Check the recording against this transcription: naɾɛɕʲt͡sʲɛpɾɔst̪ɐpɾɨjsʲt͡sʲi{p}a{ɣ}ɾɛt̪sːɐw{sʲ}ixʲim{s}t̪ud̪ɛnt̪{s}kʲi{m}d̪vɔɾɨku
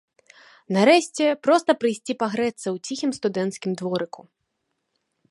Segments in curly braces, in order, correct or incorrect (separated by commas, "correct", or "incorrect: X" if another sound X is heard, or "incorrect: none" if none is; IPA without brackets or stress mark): correct, correct, incorrect: t͡sʲ, correct, correct, correct